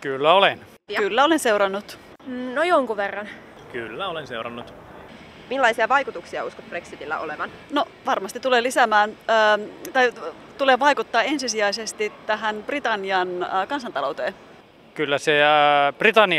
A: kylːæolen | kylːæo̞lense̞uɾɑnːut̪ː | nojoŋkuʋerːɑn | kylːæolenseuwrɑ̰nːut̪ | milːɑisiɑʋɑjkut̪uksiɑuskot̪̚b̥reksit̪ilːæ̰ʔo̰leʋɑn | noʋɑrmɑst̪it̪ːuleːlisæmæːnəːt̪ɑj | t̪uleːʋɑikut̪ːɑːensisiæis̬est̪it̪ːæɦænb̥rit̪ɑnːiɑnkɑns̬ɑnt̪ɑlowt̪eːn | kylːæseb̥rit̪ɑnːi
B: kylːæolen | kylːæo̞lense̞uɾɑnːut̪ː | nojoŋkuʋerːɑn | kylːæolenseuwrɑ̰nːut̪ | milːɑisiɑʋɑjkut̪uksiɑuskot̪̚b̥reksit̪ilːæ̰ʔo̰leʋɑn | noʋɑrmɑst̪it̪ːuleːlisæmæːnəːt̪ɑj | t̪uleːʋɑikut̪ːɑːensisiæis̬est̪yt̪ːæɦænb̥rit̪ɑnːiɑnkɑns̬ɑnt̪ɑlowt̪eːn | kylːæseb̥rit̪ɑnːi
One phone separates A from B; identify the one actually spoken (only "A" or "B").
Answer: A